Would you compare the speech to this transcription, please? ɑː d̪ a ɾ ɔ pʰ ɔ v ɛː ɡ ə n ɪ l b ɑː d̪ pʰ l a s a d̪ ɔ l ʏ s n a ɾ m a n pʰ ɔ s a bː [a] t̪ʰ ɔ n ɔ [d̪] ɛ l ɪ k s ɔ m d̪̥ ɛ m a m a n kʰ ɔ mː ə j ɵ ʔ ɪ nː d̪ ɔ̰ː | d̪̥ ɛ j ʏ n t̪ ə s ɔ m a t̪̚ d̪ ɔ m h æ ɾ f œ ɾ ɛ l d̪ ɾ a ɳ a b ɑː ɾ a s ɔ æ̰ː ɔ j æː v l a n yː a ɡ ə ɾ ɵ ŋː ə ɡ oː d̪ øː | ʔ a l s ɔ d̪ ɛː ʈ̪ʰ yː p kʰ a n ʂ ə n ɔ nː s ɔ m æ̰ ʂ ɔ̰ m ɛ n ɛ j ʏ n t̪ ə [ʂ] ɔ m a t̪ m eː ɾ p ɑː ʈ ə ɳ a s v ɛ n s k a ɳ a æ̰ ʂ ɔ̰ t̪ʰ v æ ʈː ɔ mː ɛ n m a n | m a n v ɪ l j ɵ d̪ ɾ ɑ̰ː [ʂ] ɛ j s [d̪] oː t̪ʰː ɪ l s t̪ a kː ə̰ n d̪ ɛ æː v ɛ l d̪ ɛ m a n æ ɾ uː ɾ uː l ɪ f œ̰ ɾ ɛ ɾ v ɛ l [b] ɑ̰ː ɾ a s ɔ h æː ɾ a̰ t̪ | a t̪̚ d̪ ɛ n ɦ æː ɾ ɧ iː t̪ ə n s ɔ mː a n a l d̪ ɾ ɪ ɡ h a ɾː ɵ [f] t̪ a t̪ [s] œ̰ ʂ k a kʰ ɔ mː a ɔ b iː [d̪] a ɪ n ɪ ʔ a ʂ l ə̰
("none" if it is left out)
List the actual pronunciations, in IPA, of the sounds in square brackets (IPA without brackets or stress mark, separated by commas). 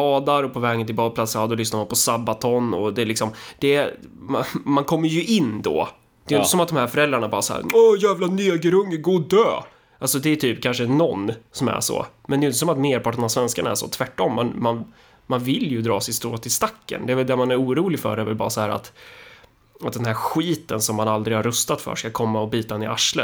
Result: a, d̪, s, s, t̪, b, s, f, t̪